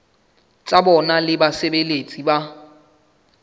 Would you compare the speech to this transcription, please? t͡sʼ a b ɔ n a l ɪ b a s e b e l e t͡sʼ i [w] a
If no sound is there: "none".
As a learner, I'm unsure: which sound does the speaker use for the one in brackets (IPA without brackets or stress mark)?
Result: b